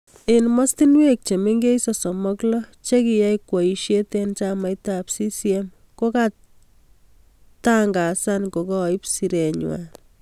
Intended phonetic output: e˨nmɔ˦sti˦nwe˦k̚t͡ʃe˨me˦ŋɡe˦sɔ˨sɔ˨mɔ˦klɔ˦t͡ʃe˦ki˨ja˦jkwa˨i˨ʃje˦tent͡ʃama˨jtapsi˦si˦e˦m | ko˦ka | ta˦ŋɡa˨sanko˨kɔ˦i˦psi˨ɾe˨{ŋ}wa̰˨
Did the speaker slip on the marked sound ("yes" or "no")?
yes